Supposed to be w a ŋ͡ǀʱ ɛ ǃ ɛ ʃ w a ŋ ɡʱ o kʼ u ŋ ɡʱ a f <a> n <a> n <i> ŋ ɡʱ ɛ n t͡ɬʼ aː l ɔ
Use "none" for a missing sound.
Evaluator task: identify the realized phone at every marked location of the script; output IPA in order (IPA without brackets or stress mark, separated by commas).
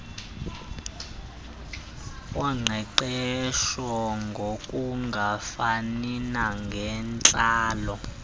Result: a, i, a